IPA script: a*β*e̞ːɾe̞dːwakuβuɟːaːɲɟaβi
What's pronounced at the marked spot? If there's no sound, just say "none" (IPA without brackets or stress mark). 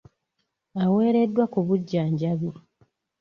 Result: w